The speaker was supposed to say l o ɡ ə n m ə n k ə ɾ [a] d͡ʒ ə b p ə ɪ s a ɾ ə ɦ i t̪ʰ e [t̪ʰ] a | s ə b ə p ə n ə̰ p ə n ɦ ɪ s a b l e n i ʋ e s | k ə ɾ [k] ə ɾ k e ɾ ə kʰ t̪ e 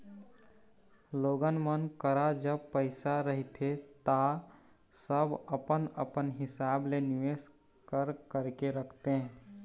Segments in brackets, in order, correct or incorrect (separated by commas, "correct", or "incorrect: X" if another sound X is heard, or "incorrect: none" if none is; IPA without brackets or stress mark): correct, incorrect: t̪, correct